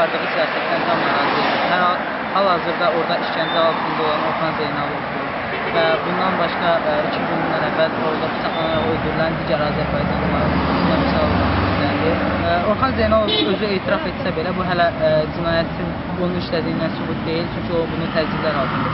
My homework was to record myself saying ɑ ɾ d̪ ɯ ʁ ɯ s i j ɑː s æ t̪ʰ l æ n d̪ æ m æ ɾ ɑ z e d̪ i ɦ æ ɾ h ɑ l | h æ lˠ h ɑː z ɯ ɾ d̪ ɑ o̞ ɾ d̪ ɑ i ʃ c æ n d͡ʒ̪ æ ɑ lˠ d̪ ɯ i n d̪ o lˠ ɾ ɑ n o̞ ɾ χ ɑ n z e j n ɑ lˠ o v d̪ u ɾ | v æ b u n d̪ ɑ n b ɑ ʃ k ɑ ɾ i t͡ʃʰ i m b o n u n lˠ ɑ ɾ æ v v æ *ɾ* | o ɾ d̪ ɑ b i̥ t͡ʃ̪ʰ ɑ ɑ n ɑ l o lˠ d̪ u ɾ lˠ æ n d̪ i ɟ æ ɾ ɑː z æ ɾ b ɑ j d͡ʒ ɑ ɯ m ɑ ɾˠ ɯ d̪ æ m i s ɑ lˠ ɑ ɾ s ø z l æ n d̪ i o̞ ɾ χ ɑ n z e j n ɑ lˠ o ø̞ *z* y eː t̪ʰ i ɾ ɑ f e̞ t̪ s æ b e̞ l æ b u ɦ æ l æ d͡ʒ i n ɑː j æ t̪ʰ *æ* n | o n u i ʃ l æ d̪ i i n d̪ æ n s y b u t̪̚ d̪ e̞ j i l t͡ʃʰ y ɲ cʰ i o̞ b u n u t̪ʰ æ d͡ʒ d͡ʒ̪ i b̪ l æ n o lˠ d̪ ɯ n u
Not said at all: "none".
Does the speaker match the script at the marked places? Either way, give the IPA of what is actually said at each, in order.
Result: l, z, i

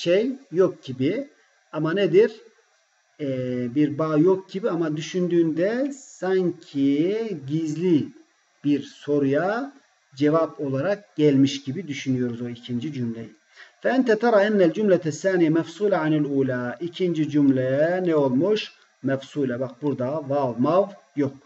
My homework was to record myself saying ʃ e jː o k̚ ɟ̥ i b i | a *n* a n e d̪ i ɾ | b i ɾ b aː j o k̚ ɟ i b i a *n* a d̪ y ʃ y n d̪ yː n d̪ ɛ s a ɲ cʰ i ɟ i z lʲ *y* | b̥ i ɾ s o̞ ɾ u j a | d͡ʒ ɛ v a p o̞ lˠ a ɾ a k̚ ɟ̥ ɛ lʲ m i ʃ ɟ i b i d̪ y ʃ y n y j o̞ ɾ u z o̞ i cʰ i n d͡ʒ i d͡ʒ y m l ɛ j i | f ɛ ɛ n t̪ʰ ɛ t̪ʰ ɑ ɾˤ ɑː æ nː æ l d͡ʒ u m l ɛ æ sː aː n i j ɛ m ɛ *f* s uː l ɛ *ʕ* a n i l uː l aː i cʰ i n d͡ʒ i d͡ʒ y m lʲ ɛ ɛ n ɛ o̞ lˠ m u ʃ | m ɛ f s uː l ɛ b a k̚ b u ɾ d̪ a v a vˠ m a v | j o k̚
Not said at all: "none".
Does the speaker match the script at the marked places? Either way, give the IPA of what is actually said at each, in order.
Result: m, m, i, f, ʕ

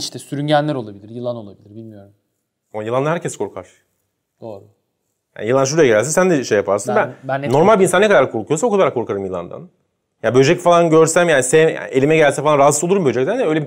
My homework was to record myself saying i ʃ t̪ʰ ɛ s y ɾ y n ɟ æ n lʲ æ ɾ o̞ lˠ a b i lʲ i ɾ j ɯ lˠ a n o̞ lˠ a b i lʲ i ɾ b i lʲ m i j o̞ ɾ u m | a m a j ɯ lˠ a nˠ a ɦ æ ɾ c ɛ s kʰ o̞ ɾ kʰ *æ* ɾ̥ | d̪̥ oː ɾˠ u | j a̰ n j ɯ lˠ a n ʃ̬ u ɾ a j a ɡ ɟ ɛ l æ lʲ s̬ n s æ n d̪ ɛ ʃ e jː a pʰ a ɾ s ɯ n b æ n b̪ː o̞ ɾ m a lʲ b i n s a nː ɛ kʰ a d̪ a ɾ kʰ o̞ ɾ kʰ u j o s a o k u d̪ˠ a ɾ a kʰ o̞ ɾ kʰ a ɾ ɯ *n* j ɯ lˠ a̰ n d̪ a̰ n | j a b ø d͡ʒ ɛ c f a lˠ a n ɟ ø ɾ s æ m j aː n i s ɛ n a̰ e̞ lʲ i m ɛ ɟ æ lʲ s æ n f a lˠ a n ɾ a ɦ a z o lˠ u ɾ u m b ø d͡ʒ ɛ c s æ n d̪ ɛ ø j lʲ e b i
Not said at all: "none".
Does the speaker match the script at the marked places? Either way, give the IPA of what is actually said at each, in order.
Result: a, m

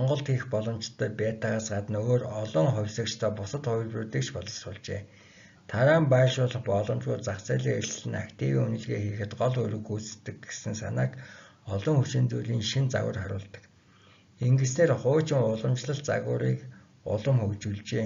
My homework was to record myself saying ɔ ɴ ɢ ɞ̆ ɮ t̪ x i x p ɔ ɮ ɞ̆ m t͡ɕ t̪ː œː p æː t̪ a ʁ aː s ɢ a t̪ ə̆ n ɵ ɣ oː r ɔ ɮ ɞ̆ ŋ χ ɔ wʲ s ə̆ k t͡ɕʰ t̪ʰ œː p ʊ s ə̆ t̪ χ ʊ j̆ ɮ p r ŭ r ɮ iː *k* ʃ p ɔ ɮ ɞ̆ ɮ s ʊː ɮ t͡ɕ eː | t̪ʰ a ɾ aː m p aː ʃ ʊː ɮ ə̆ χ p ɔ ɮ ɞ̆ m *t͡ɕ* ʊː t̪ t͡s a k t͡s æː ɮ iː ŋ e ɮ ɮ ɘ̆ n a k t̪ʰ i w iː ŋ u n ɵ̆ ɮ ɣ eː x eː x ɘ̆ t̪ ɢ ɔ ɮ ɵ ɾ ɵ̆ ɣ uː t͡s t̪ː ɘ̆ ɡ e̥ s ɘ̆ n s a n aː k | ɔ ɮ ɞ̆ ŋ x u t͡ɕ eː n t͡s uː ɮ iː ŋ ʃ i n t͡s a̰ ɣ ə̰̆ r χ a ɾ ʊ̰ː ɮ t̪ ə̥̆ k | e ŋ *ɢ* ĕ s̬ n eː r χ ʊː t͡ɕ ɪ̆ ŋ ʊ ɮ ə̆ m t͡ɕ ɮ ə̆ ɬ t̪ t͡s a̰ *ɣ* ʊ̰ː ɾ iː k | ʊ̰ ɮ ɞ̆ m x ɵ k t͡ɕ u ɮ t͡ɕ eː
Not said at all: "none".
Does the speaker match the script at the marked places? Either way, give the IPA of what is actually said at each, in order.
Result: k, t͡ɕ, ɡ, ɣ

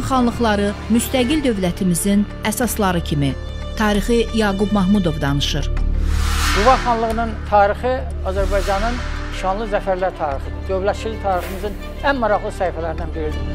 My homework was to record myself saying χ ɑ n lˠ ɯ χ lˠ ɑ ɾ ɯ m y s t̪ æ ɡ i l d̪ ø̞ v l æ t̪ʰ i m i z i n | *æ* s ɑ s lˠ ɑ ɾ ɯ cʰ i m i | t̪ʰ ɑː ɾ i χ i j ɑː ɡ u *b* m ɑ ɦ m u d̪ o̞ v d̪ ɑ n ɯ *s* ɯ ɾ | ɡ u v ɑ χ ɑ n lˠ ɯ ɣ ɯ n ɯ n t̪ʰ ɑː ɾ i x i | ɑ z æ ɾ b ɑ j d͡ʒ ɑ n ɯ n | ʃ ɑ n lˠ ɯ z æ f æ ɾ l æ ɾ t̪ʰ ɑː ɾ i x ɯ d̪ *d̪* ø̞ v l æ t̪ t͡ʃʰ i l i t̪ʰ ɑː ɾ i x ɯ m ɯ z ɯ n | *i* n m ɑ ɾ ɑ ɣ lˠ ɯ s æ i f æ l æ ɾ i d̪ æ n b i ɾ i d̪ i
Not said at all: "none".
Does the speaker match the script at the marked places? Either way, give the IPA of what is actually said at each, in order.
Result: æ, b, ʃ, d̪, æ

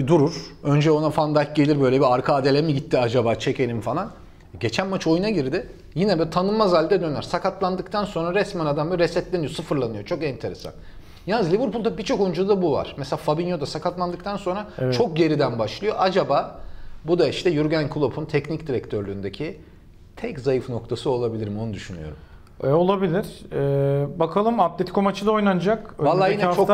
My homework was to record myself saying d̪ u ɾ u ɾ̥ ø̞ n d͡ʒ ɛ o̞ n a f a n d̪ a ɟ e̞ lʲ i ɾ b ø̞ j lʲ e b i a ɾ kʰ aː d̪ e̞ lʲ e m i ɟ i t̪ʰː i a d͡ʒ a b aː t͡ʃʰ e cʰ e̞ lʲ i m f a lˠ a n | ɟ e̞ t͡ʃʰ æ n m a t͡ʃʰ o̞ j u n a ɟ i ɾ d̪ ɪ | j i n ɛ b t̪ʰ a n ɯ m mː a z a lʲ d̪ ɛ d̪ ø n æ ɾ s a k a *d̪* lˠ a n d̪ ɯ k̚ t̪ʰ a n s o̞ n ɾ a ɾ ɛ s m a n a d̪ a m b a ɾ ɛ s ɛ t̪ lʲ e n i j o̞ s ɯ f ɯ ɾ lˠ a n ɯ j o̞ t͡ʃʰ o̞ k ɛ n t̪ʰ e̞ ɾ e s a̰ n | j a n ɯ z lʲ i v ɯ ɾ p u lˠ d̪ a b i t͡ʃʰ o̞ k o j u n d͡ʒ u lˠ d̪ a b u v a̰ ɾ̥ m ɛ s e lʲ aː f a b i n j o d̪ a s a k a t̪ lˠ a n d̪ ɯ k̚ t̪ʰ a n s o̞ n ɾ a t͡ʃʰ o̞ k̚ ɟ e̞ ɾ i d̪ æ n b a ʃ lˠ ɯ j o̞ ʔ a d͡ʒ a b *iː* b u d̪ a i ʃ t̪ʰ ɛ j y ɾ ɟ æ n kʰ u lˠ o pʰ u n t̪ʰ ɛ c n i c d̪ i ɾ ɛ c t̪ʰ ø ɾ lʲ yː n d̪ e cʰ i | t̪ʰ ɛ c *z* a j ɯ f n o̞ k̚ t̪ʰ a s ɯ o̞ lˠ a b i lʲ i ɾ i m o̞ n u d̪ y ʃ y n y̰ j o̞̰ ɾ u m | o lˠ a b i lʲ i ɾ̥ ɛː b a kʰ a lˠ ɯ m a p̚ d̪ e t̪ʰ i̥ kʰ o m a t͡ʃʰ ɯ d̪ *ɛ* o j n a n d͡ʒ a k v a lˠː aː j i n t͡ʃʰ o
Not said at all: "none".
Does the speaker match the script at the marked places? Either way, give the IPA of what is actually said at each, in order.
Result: t̪, aː, z, a

